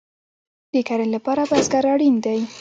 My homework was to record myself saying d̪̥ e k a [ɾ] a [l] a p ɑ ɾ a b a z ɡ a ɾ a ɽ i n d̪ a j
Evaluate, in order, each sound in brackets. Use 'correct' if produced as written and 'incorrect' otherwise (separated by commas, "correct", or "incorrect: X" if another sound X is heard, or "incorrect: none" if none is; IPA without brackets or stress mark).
correct, correct